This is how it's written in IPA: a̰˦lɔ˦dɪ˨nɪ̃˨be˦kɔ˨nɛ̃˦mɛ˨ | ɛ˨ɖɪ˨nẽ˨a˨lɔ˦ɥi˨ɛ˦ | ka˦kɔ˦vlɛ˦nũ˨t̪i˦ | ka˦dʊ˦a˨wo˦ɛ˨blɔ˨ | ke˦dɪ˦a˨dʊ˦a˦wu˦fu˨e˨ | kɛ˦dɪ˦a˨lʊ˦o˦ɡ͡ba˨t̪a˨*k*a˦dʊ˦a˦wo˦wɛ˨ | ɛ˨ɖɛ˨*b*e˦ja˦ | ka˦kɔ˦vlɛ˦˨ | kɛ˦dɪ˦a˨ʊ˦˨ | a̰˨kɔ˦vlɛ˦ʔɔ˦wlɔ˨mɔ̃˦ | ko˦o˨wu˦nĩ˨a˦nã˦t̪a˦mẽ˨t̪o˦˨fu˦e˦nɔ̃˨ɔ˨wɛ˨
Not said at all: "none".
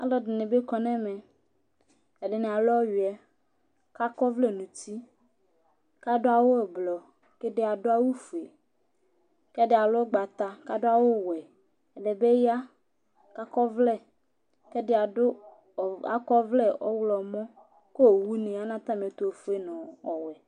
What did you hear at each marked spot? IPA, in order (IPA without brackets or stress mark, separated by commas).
k, b